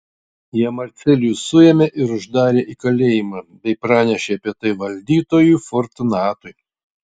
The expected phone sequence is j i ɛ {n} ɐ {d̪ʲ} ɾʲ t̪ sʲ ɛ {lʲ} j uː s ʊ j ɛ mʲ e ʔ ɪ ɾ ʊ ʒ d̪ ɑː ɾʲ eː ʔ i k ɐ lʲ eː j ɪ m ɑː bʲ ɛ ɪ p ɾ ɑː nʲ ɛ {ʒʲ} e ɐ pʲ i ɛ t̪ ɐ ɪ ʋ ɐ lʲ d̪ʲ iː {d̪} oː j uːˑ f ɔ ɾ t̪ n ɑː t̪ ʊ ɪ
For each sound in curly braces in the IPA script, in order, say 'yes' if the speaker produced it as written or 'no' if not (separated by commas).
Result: no, no, yes, no, no